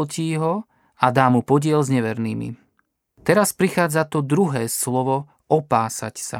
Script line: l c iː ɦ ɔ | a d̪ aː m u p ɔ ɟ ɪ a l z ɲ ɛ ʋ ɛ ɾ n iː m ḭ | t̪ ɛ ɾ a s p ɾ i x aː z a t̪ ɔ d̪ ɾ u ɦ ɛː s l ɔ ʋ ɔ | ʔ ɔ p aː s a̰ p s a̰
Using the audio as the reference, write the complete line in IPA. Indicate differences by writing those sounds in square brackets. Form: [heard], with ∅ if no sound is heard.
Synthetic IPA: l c iː ɦ ɔ | a d̪ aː m u p ɔ ɟ ɪ [ɛ] l z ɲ ɛ ʋ ɛ ɾ n iː m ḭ | t̪ ɛ ɾ a s p ɾ i x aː [d͡z] a t̪ ɔ d̪ ɾ u ɦ ɛː s l ɔ ʋ ɔ | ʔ ɔ p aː s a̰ [c] s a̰